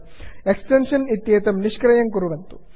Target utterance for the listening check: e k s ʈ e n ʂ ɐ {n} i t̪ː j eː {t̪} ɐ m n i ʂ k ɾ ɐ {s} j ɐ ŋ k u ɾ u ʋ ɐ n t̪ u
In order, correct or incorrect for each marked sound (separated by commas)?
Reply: correct, correct, incorrect